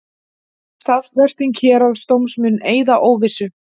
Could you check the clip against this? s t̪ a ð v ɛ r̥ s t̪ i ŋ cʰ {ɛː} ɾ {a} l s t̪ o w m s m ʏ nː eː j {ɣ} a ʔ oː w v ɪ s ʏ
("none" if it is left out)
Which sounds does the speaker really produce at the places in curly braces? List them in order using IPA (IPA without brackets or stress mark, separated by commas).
ɛː, a, ð